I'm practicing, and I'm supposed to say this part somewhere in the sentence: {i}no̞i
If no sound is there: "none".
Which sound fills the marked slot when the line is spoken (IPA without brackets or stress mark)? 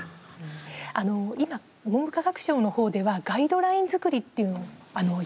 a